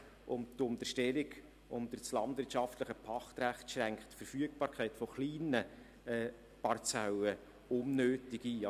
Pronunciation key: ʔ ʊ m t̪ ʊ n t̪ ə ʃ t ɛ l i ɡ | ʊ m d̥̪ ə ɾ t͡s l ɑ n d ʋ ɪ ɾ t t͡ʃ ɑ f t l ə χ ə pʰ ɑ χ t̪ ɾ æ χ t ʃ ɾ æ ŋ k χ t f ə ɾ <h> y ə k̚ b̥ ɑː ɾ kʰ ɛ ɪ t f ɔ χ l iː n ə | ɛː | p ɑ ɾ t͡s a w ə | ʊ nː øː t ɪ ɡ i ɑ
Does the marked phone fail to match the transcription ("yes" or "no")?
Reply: yes